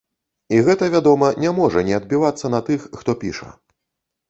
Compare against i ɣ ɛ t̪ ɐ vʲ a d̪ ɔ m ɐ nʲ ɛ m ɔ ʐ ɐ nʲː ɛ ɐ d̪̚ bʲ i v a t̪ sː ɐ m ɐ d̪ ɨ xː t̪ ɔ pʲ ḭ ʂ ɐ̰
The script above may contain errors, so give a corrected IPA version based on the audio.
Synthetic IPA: i ɣ ɛ t̪ ɐ vʲ a d̪ ɔ m ɐ nʲ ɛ m ɔ ʐ ɐ nʲ ɛ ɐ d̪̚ bʲ i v a t̪ sː ɐ n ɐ t̪ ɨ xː t̪ ɔ pʲ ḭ ʂ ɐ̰